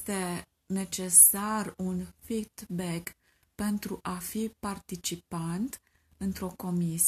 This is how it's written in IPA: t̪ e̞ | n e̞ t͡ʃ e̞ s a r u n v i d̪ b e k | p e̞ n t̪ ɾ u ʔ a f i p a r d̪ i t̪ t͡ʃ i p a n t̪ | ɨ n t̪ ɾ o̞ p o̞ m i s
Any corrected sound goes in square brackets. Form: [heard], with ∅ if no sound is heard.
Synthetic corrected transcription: t̪ e̞ | n e̞ t͡ʃ e̞ s a r u n [f] i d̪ b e k | p e̞ n t̪ ɾ u ʔ a f i p a r [t̪] i [∅] t͡ʃ i p a n t̪ | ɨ n t̪ ɾ o̞ [k] o̞ m i s